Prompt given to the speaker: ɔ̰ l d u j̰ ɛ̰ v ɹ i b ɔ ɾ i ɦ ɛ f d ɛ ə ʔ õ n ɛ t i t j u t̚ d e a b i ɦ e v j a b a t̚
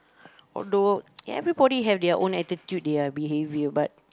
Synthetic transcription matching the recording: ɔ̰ l d o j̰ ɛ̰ v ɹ i b ɔ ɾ i ɦ ɛ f d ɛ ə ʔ õ n ɛ t i t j u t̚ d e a b i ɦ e v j ə b a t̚